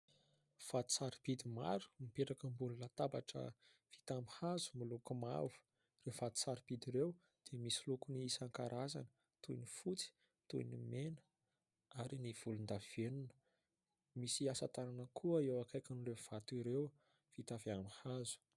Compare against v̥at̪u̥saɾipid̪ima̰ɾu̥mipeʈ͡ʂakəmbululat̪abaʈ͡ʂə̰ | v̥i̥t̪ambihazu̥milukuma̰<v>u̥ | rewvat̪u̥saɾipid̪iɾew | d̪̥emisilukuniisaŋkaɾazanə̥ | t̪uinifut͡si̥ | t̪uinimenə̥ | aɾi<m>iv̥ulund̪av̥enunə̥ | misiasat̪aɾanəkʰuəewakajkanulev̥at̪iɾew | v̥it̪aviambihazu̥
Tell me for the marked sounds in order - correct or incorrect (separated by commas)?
correct, incorrect